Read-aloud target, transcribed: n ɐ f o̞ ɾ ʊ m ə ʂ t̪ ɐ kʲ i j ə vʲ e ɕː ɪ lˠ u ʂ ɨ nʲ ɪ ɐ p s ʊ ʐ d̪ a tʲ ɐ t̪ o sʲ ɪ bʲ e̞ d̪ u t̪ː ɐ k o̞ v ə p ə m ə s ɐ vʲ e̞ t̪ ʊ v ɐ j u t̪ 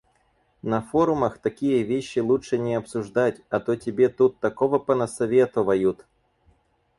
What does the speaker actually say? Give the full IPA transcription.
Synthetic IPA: n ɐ f o̞ ɾ ʊ m ə x t̪ ɐ kʲ i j ə vʲ e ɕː ɪ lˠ u ʂ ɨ nʲ ɪ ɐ p s ʊ ʐ d̪ a tʲ ɐ t̪ o tʲ ɪ bʲ e̞ t̪ u t̪ː ɐ k o̞ v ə p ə n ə s ɐ vʲ e̞ t̪ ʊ v ɐ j u t̪

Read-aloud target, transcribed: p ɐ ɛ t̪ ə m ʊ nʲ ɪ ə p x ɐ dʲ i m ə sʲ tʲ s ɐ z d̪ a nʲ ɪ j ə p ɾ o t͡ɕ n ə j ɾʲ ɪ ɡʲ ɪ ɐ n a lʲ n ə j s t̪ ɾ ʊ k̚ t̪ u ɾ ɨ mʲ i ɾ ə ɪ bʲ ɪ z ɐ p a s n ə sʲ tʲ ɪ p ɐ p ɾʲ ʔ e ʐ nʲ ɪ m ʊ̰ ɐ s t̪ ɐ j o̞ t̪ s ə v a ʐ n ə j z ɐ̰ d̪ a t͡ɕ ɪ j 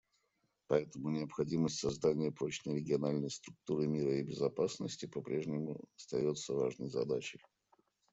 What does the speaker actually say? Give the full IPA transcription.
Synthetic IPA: p ɐ ɛ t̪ ə m ʊ nʲ ɪ ə p x ɐ dʲ i m ə sʲ tʲ s ɐ z d̪ a nʲ ɪ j ə p ɾ o t͡ɕ n ə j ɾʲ ɪ ɡʲ ɪ ɐ n a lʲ n ə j s t̪ ɾ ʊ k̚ t̪ u ɾ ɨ mʲ i ɾ ə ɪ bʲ ɪ z ɐ p a s n ə sʲ tʲ ɪ p ɐ p ɾʲ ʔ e ʐ nʲ ɪ m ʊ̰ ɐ s t̪ ɐ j o̞ t̪ s ə v a ʐ n ə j z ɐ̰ d̪ a t͡ɕ ɪ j

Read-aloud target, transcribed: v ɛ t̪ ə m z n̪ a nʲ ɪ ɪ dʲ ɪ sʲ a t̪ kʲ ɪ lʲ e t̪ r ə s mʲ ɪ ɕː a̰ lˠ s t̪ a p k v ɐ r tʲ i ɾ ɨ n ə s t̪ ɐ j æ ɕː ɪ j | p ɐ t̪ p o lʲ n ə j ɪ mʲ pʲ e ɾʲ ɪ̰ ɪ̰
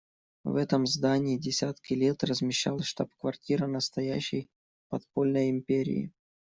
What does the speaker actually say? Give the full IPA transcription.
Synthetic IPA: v ɛ t̪ ə m z d̪ a nʲ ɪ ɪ dʲ ɪ sʲ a t̪ kʲ ɪ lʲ e t̪ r ə z mʲ ɪ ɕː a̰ lˠ ʂ t̪ a p k v ɐ r tʲ i ɾ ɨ n ə s t̪ ɐ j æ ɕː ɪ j | p ɐ t̪ p o lʲ n ə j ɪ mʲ pʲ e ɾʲ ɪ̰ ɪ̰

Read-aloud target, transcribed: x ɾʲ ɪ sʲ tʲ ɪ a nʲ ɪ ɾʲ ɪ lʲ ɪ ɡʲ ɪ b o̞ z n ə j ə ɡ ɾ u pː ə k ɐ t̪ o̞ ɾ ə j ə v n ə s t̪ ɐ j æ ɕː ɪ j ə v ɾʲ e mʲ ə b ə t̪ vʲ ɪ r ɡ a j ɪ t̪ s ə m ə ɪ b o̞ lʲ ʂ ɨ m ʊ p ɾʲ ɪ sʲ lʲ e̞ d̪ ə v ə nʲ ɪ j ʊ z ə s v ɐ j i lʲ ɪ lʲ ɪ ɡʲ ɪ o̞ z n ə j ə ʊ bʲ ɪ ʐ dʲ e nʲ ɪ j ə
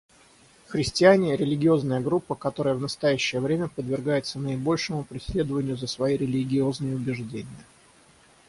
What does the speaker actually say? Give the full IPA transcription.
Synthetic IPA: x ɾʲ ɪ sʲ tʲ ɪ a nʲ ɪ ɾʲ ɪ lʲ ɪ ɡʲ ɪ o̞ z n ə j ə ɡ ɾ u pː ə k ɐ t̪ o̞ ɾ ə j ə v n ə s t̪ ɐ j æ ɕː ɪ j ə v ɾʲ e mʲ ə p ə d̪ vʲ ɪ r ɡ a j ɪ t̪ s ə n ə ɪ b o̞ lʲ ʂ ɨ m ʊ p ɾʲ ɪ sʲ lʲ e̞ d̪ ə v ə nʲ ɪ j ʊ z ə s v ɐ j i ɾʲ ɪ lʲ ɪ ɡʲ ɪ o̞ z n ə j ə ʊ bʲ ɪ ʐ dʲ e nʲ ɪ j ə

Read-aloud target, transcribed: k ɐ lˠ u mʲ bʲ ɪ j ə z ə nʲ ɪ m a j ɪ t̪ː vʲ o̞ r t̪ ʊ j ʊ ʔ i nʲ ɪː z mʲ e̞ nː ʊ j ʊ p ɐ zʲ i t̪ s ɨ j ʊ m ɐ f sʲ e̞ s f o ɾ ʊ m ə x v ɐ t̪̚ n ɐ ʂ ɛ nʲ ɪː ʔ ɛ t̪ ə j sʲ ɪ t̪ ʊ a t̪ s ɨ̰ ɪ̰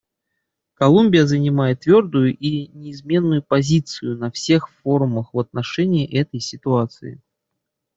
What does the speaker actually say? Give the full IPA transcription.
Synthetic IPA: k ɐ lˠ u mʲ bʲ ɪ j ə z ə nʲ ɪ m a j ɪ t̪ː vʲ o̞ r d̪ ʊ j ʊ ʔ i nʲ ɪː z mʲ e̞ nː ʊ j ʊ p ɐ zʲ i t̪ s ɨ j ʊ n ɐ f sʲ e̞ x f o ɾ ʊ m ə x v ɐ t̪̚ n ɐ ʂ ɛ nʲ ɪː ʔ ɛ t̪ ə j sʲ ɪ t̪ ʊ a t̪ s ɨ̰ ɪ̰

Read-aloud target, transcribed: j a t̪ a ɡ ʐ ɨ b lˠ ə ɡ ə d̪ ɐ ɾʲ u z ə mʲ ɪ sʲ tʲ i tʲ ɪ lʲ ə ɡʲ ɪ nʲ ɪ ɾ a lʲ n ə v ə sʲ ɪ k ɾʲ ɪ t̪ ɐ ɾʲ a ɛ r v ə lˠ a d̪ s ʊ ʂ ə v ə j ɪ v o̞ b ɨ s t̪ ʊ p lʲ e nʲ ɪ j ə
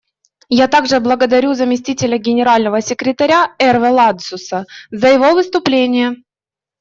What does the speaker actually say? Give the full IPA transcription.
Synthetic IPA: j a t̪ a ɡ ʐ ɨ b lˠ ə ɡ ə d̪ ɐ ɾʲ u z ə mʲ ɪ sʲ tʲ i tʲ ɪ lʲ ə ɡʲ ɪ nʲ ɪ ɾ a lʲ n ə v ə sʲ ɪ k ɾʲ ɪ t̪ ɐ ɾʲ a ɛ r v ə lˠ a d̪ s ʊ s ə z ə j ɪ v o̞ v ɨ s t̪ ʊ p lʲ e nʲ ɪ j ə

